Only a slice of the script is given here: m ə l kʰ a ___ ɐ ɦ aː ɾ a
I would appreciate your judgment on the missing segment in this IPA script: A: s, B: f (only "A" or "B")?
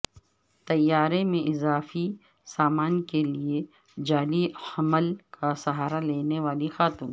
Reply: A